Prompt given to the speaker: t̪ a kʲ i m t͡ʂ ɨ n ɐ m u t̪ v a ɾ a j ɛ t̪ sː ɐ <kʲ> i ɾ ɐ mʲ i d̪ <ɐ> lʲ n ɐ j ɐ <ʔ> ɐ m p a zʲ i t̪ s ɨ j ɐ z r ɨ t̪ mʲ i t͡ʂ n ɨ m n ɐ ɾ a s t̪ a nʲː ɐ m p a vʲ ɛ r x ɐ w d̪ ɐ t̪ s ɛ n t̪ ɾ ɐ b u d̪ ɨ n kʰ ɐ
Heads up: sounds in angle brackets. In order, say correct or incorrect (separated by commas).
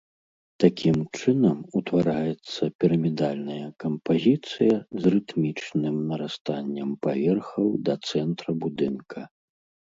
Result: incorrect, incorrect, incorrect